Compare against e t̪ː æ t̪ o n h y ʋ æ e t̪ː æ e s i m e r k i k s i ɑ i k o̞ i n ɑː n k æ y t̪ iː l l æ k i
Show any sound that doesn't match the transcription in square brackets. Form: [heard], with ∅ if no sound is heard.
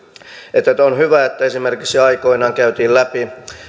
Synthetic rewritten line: e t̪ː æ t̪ o n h y ʋ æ e t̪ː æ e s i m e r k i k s i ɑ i k o̞ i n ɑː [ŋ] k æ y t̪ iː l l æ [p] i

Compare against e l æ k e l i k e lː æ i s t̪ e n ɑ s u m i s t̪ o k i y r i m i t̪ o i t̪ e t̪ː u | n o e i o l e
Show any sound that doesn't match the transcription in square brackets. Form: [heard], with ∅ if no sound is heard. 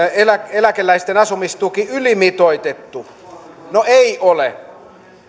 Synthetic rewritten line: e l æ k e l [æ] k e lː æ i s t̪ e n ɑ s u m i s t̪ [u] k i y [l] i m i t̪ o i t̪ e t̪ː u | n o e i o l e

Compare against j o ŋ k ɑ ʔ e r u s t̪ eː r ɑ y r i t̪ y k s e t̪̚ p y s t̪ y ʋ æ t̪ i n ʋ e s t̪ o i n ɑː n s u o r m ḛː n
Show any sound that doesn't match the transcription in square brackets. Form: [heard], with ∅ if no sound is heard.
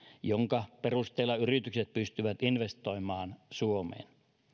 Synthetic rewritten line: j o ŋ k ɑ [p] e r u s t̪ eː [l] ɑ y r i t̪ y k s e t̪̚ p y s t̪ y ʋ æ t̪ i n ʋ e s t̪ o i [m] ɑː n s u o [∅] m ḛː n

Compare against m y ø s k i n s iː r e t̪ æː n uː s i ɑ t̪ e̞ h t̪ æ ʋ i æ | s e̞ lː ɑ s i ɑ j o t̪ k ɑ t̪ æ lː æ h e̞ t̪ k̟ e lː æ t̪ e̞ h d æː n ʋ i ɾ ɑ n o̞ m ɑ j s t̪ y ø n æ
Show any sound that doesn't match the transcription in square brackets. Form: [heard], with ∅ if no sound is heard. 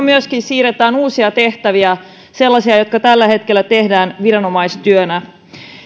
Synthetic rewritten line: m y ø s k i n s iː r e t̪ æː n uː s i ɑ t̪ e̞ h t̪ æ ʋ i æ | s e̞ lː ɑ s i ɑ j o t̪ k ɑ t̪ æ lː æ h e̞ t̪ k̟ e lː æ t̪ e̞ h d æː n ʋ i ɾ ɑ n o̞ m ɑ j s t̪ y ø n æ

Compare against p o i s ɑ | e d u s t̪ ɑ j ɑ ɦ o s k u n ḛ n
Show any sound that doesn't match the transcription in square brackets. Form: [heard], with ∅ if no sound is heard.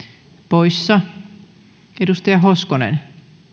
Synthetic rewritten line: p o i [sː] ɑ | e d u s t̪ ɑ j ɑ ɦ o s k [o] n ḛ n

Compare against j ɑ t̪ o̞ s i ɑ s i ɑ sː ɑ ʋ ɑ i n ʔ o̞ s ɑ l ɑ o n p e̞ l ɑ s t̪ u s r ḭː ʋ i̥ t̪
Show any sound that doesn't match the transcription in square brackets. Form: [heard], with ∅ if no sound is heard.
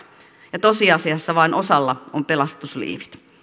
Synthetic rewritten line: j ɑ t̪ o̞ s i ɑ s i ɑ sː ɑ ʋ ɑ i n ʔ o̞ s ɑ [lː] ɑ o [m] p e̞ l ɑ s t̪ u s [l] ḭː ʋ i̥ t̪

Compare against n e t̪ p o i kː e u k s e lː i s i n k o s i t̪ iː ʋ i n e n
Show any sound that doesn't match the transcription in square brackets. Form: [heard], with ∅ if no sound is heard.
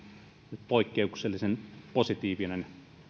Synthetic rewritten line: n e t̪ p o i kː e u k s e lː i s [e] n [p] o s i t̪ iː ʋ i n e n

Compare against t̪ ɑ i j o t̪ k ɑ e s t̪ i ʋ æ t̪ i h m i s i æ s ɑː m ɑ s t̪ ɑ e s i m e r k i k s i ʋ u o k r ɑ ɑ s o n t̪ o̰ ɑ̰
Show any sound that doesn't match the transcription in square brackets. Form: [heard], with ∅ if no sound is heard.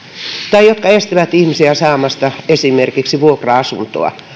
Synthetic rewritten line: t̪ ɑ i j o t̪ k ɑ e s t̪ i ʋ æ t̪ i h m i s i æ s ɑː m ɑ s t̪ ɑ e s i m e r k i k s i ʋ u o k r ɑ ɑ s [u] n t̪ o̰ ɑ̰

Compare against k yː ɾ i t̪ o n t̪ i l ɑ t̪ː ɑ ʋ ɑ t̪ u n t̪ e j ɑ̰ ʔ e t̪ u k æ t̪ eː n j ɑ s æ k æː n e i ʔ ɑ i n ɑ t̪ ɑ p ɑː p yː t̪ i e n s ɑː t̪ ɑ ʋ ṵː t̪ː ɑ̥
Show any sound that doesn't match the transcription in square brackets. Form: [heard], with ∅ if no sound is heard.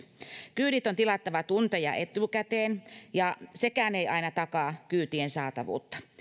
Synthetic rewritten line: k yː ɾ i t̪ o n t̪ i l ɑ t̪ː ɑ ʋ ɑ t̪ u n t̪ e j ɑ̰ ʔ e t̪ u k æ t̪ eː n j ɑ s [e] k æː n e i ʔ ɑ i n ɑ t̪ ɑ [k] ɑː [k] yː t̪ i e n s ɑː t̪ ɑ ʋ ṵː t̪ː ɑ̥

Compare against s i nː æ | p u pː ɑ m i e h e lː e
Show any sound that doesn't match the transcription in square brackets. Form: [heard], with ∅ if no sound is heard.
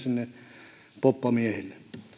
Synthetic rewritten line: s i nː [e] | p [o] pː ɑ m i e h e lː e

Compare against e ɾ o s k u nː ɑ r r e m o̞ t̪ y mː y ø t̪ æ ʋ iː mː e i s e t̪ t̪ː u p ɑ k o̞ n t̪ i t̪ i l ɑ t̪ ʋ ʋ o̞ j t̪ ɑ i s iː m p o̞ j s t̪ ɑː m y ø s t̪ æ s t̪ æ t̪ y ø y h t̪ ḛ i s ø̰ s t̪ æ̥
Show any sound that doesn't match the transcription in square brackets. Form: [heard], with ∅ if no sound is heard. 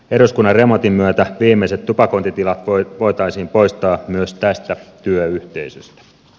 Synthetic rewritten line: e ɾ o s k u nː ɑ r r e m o̞ t̪ [i] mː y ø t̪ æ ʋ iː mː e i s e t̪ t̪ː u p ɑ k o̞ n t̪ i t̪ i l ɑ t̪ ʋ ʋ o̞ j t̪ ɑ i s iː m p o̞ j s t̪ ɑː m y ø s t̪ æ s t̪ æ t̪ y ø y h t̪ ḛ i s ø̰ s t̪ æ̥

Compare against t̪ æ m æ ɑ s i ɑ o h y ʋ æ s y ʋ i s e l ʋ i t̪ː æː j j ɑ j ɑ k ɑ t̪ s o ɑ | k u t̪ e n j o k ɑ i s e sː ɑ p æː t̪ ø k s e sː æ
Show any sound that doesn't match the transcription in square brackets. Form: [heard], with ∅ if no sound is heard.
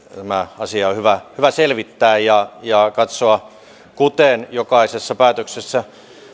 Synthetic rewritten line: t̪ æ m æ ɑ s i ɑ o h y ʋ æ [h] y ʋ [æ] s e l ʋ i t̪ː æː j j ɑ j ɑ k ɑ t̪ s o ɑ | k u t̪ e n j o k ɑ i s e sː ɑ p æː t̪ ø k s e sː æ

